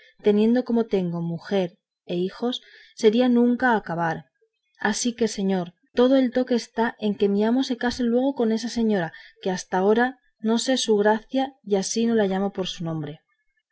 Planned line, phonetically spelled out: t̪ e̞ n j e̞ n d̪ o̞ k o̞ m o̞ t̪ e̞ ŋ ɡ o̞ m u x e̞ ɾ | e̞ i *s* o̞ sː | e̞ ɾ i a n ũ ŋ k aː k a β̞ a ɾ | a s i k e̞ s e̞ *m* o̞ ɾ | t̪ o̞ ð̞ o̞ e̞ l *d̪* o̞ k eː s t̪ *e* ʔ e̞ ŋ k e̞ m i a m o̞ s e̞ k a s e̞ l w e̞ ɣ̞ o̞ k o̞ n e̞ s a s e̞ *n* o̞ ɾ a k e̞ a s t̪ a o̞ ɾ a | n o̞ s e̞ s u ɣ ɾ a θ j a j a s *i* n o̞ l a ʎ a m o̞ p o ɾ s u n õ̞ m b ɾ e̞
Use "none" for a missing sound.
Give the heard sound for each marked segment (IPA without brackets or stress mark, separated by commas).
x, ɲ, t̪, a, ɲ, i